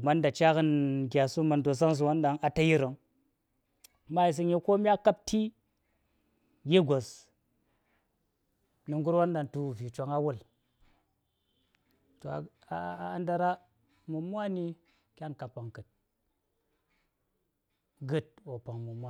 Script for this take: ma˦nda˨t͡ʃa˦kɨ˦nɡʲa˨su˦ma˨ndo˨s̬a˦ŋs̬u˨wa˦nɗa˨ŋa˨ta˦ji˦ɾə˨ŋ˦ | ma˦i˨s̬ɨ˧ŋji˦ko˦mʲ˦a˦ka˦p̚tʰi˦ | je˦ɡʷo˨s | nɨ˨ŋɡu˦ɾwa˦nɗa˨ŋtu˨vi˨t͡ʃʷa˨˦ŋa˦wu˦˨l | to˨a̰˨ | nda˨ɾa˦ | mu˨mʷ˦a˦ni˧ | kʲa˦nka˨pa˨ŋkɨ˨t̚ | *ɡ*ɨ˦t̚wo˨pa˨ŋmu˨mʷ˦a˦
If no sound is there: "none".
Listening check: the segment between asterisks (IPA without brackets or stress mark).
ɡ